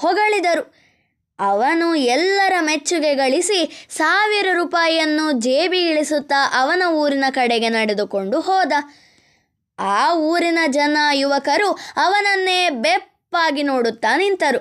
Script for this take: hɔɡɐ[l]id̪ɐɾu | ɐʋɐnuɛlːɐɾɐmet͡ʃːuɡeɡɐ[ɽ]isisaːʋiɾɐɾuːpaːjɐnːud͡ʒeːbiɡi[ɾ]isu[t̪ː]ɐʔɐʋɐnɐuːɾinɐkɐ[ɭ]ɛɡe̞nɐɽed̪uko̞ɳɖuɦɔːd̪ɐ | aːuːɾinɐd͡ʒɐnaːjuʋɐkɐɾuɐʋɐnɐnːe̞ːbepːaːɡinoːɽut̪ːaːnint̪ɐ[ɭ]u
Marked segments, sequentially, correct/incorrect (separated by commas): incorrect, incorrect, incorrect, correct, incorrect, incorrect